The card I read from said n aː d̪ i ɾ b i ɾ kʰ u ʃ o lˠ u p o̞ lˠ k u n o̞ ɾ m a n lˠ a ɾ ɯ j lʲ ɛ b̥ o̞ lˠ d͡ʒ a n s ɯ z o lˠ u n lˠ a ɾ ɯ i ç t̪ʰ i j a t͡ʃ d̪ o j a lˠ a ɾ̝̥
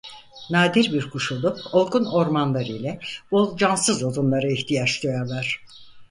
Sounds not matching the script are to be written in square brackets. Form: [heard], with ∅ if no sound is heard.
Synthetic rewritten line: n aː d̪ i ɾ b i ɾ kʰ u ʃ [u] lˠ u p o̞ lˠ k u n o̞ ɾ m a n lˠ a ɾ ɯ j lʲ ɛ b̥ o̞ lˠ d͡ʒ a n s ɯ z o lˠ u n lˠ a ɾ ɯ i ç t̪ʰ i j a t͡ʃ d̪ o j a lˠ a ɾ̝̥